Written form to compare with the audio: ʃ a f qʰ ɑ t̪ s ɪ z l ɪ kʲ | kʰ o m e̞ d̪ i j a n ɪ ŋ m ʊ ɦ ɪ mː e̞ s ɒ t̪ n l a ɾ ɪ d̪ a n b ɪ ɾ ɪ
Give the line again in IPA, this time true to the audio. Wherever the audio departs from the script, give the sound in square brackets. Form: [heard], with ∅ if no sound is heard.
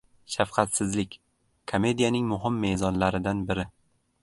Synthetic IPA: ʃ a f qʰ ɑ t̪ s ɪ z l ɪ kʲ | kʰ o m e̞ d̪ i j a n ɪ ŋ m ʊ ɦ ɪ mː e̞ [z] ɒ [∅] n l a ɾ ɪ d̪ a n b ɪ ɾ ɪ